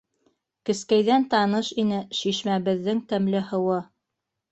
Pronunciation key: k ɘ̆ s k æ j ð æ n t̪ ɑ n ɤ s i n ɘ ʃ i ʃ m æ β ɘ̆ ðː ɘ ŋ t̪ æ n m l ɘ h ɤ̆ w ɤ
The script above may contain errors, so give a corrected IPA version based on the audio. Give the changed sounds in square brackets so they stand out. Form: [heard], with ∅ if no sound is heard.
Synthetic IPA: k ɘ̆ s k æ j ð æ n t̪ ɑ n ɤ [ʃ] i n ɘ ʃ i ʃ m æ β ɘ̆ ðː ɘ ŋ t̪ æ [∅] m l ɘ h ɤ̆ w ɤ